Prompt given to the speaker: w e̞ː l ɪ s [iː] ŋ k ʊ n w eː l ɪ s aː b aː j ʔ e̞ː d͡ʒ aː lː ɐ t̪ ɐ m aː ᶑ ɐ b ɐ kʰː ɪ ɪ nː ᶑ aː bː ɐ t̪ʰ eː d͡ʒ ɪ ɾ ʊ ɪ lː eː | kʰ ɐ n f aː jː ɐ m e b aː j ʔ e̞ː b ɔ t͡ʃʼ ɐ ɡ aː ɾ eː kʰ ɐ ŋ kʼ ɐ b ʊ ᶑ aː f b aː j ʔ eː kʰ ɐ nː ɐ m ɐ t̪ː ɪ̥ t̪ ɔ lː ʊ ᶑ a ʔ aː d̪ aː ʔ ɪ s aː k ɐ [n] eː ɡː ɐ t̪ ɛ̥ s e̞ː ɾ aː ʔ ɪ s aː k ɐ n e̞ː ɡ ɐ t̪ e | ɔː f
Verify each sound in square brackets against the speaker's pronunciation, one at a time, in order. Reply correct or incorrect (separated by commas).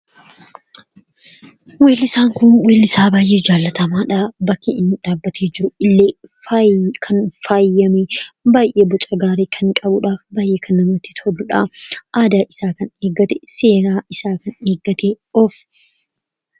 incorrect, correct